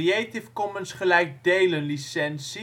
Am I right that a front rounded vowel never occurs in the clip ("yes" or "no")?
yes